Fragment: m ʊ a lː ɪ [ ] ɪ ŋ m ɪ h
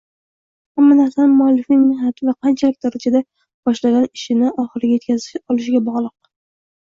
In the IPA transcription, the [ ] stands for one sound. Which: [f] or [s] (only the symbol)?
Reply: f